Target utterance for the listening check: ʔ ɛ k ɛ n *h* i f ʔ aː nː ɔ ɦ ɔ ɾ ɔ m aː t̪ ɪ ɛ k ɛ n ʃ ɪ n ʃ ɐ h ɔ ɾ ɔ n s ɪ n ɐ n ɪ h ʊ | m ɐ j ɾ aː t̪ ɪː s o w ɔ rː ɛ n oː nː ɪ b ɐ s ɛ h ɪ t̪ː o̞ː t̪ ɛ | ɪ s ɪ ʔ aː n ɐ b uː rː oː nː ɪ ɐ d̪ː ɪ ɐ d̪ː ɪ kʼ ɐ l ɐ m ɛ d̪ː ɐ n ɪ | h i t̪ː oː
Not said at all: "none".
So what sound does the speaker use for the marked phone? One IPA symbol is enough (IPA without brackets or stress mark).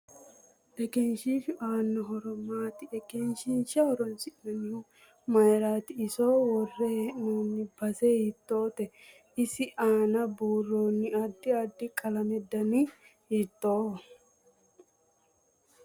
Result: ʃ